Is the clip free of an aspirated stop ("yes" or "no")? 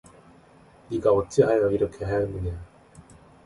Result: no